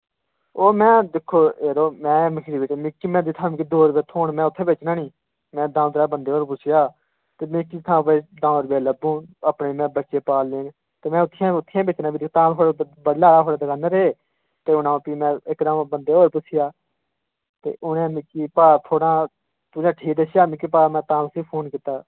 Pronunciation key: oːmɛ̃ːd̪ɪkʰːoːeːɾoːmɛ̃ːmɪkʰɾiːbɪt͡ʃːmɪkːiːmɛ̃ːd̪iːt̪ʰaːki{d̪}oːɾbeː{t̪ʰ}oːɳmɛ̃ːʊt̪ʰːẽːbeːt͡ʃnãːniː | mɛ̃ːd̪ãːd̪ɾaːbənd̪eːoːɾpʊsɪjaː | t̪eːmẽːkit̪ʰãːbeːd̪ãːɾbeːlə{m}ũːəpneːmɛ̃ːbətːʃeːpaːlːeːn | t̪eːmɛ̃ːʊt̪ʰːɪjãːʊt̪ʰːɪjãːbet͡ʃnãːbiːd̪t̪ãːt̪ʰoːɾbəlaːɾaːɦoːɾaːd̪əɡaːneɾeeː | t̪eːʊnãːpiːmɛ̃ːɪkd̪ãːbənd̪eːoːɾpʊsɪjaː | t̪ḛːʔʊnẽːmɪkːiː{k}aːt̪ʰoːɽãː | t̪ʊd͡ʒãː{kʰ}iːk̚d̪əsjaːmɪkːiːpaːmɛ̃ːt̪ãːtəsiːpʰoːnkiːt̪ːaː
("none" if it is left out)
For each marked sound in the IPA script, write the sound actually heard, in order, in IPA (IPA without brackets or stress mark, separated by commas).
d̪, t̪ʰ, b, p, ʈʰ